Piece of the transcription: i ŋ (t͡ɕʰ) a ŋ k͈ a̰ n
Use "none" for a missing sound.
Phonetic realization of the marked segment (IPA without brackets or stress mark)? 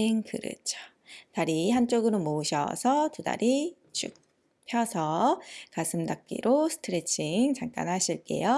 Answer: t͡ɕ